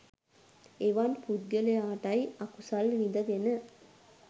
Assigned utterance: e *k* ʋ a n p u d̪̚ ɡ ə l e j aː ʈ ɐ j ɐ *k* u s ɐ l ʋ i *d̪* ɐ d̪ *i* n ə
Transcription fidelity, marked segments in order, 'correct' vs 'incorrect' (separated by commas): incorrect, correct, correct, incorrect